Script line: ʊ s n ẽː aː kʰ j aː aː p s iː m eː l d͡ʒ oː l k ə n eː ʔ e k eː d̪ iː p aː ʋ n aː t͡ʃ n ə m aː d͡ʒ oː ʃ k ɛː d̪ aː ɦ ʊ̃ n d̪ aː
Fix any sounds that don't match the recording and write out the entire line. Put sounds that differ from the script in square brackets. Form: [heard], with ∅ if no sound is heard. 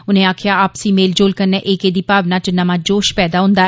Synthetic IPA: ʊ [∅] n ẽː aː kʰ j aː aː p s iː m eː l d͡ʒ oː l k ə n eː ʔ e k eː d̪ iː p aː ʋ n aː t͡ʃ n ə m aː d͡ʒ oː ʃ [p] ɛː d̪ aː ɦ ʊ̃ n d̪ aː